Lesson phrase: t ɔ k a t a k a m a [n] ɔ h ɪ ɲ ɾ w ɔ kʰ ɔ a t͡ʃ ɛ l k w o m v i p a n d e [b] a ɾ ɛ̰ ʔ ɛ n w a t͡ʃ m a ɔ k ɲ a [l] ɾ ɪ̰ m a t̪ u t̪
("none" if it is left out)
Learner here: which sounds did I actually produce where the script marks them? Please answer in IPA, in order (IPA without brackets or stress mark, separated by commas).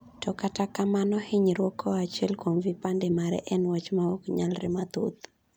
n, m, l